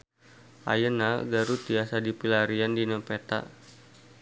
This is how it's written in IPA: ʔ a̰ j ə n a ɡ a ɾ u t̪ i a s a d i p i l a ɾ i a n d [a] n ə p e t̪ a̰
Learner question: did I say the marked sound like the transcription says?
no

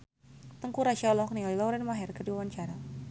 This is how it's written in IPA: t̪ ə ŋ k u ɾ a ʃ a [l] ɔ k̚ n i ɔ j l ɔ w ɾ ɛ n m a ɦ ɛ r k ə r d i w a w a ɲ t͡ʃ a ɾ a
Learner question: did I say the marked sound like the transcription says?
yes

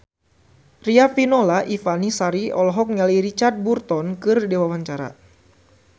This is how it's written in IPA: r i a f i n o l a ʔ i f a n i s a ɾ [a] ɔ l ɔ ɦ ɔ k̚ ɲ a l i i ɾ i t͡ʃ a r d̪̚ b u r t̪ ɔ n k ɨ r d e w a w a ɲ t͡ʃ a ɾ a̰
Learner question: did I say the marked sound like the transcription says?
no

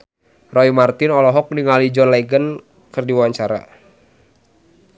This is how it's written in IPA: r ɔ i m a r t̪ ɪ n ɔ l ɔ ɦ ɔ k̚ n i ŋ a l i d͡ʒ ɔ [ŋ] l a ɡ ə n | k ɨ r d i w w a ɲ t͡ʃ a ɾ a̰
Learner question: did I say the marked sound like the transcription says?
no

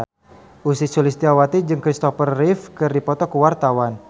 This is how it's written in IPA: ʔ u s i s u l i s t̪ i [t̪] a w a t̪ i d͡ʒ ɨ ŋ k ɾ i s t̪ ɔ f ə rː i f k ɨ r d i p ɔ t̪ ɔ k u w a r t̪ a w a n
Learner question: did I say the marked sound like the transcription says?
no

